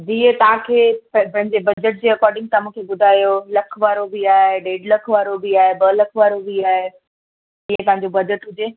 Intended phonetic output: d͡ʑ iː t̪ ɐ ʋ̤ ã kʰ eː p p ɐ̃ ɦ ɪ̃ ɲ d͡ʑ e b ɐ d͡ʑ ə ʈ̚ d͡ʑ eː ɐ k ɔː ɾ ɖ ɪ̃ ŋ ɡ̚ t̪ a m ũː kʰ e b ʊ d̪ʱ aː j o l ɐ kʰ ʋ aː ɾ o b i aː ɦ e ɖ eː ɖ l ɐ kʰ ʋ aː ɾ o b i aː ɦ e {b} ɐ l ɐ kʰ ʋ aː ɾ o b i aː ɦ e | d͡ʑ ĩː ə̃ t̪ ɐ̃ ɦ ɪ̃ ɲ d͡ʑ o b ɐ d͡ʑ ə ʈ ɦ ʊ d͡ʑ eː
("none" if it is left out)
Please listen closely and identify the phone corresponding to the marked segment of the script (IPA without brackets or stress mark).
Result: b